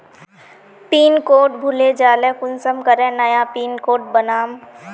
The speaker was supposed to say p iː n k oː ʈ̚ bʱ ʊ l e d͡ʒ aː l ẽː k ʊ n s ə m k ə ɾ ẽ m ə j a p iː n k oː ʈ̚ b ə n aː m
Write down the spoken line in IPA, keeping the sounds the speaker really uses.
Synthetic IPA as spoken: p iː n k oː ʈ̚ bʱ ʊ l e d͡ʒ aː l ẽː k ʊ n s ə m k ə ɾ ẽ n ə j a p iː n k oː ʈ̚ b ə n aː m

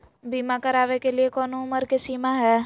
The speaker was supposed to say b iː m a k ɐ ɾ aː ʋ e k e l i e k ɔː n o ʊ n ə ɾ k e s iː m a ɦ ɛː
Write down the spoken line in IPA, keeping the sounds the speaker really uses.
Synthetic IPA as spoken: b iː m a k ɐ ɾ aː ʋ e k e l i e k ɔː n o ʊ m ə ɾ k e s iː m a ɦ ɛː

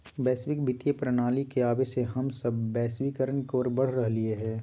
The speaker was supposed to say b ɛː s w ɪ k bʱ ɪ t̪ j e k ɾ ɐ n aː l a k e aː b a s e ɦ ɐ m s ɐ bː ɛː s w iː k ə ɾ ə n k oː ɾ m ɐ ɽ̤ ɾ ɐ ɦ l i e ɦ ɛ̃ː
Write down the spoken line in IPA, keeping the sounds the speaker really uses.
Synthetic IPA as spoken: b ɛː s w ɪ k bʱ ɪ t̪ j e p ɾ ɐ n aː l i k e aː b e s e ɦ ɐ m s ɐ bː ɛː s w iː k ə ɾ ə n k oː ɾ b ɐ ɽ̤ ɾ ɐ ɦ l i e ɦ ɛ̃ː

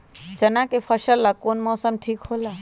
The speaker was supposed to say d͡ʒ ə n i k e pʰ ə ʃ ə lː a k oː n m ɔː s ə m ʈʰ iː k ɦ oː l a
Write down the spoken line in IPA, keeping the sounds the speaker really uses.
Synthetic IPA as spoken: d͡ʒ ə n a k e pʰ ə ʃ ə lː a k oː n m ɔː s ə m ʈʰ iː k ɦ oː l a

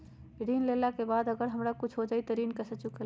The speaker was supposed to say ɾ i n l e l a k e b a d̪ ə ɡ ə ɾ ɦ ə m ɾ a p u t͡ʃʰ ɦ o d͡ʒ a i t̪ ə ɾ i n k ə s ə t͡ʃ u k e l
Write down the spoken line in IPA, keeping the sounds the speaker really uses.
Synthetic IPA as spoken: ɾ i n l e l a k e b a d̪ ə ɡ ə ɾ ɦ ə m ɾ a k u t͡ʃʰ ɦ o d͡ʒ a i t̪ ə ɾ i n k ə s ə t͡ʃ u k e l

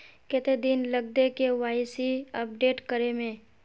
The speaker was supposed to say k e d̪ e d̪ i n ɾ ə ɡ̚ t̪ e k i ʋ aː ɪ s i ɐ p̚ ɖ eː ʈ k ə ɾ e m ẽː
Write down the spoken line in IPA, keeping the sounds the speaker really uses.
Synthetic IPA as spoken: k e t̪ e d̪ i n l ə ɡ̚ d̪ e k e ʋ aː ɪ s i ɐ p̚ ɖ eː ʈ k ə ɾ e m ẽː

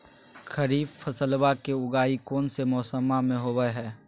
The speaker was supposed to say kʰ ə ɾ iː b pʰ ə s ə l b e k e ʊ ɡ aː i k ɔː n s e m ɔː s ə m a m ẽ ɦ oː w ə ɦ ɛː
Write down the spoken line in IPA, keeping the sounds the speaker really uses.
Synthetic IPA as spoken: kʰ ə ɾ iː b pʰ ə s ə l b a k e ʊ ɡ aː i k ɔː n s e m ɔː s ə m a m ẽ ɦ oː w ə ɦ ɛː

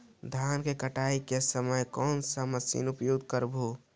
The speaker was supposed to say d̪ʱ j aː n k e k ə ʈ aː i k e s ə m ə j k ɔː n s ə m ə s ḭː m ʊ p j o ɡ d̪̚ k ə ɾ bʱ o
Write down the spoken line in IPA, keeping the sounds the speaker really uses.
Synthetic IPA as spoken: d̪ʱ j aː n k e k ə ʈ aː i k e s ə m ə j k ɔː n s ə m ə s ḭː n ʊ p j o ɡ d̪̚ k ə ɾ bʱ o

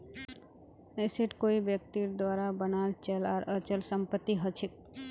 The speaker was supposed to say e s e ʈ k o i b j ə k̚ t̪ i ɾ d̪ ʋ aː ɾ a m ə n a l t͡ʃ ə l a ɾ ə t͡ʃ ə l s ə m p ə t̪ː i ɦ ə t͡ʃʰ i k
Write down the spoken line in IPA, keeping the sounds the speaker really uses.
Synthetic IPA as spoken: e s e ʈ k o i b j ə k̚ t̪ i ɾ d̪ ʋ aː ɾ a b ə n a l t͡ʃ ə l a ɾ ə t͡ʃ ə l s ə m p ə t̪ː i ɦ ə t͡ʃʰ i k

